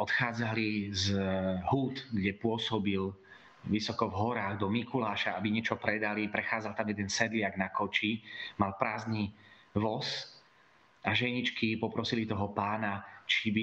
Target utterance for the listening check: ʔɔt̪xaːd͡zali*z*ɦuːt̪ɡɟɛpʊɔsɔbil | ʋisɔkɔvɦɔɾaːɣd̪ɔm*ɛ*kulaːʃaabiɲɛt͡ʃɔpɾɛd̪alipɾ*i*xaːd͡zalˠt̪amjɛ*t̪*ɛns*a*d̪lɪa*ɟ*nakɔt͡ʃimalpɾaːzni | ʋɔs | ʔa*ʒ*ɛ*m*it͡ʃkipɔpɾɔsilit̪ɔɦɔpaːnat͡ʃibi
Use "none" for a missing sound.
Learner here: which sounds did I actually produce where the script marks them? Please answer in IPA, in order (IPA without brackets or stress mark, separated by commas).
z, i, ɛ, d̪, ɛ, ɡ, ʒ, ɲ